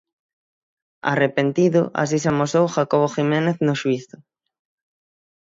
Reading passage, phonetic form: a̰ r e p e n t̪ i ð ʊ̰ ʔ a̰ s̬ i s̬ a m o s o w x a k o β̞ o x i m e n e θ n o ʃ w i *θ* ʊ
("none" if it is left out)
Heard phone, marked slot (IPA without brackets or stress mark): θ